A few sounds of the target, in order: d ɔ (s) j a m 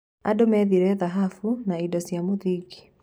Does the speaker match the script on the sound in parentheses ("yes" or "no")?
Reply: yes